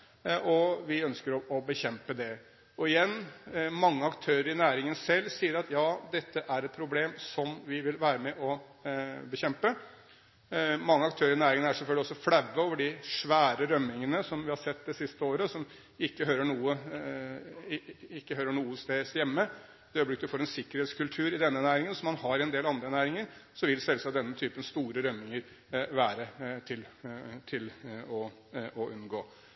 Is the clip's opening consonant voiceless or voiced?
voiced